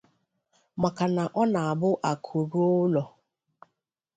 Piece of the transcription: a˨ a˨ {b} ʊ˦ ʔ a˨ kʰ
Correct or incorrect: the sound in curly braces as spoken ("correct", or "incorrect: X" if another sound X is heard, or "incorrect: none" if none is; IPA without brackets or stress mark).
correct